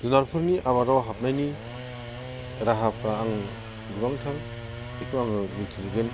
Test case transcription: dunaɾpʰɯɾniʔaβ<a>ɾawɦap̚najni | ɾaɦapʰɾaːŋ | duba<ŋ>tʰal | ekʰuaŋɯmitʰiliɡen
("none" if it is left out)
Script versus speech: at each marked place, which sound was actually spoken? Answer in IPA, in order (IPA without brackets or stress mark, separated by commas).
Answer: a, ŋ